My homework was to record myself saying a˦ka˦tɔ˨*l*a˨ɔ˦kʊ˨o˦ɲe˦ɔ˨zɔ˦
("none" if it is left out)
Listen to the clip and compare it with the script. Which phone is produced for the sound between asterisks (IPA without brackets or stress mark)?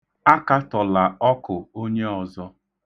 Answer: l